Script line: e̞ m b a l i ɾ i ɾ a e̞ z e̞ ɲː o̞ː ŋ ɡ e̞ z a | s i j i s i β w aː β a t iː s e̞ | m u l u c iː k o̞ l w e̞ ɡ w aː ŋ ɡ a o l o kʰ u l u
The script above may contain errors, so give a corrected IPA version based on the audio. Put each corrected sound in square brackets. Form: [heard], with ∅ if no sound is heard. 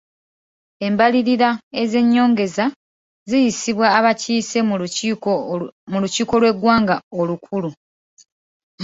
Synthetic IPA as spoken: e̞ m b a l i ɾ i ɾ a e̞ z e̞ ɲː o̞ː ŋ ɡ e̞ z a | [z] i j i s i β w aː β a [c] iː s e̞ | m u l u c iː k o̞ l w e̞ ɡ w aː ŋ ɡ a o l [u] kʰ u l u